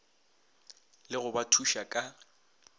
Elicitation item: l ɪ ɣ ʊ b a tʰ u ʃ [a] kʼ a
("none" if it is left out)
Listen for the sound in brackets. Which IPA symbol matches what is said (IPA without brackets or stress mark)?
a